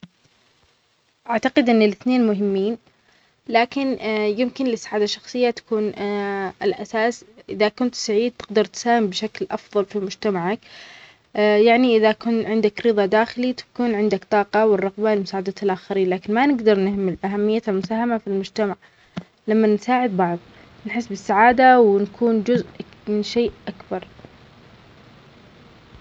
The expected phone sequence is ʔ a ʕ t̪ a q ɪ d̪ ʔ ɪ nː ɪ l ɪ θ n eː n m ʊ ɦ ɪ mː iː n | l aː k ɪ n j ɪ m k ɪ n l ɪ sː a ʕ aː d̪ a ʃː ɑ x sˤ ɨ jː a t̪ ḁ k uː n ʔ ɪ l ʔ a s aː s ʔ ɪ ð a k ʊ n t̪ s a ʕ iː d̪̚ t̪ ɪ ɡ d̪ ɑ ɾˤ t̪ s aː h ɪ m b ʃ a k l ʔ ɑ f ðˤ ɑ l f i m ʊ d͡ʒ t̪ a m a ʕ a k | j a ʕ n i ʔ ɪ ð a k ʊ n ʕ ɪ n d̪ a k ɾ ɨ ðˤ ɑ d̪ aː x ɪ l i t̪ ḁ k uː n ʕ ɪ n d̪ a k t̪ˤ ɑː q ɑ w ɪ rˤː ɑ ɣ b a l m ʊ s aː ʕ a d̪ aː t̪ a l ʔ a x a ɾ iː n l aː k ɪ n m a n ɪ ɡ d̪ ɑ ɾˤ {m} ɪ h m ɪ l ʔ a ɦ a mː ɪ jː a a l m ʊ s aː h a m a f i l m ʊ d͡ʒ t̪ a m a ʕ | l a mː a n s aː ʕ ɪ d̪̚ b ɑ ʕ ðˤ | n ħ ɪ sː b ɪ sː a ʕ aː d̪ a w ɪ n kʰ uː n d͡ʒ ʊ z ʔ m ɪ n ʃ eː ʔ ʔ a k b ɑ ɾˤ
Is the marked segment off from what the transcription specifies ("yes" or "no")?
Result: yes